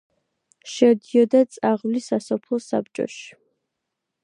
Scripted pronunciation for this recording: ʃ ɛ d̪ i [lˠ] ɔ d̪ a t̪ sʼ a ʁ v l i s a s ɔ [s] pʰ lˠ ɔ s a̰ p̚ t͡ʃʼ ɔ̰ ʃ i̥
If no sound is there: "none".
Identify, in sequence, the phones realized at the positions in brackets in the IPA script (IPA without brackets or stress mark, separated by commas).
none, none